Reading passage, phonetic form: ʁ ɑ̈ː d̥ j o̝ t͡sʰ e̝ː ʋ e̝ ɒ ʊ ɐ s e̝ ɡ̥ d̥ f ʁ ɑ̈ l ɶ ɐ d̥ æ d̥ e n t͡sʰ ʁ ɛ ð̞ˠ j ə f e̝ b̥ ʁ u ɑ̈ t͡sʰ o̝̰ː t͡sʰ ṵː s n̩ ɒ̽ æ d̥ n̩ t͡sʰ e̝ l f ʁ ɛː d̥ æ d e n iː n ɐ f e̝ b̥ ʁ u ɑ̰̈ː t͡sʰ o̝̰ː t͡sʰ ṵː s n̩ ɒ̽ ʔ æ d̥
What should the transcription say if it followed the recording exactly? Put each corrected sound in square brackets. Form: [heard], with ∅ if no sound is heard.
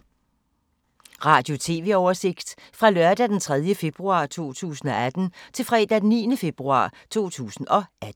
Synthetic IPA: ʁ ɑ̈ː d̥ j o̝ t͡sʰ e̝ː ʋ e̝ ɒ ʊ ɐ s e̝ ɡ̥ d̥ f ʁ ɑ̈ l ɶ ɐ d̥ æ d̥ e n t͡sʰ ʁ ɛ ð̞ˠ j ə f e̝ b̥ ʁ u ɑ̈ t͡sʰ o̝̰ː t͡sʰ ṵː s n̩ ɒ̽ æ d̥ n̩ t͡sʰ e̝ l f ʁ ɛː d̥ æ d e n iː n [ə] f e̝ b̥ ʁ u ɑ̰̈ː t͡sʰ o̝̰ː t͡sʰ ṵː s n̩ ɒ̽ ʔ æ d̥